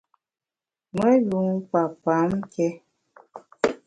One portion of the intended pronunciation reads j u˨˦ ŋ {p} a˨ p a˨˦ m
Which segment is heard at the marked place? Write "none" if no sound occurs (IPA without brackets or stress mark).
p